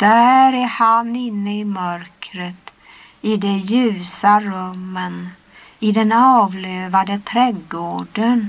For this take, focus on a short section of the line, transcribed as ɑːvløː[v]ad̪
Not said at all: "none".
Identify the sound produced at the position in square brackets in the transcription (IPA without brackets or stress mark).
v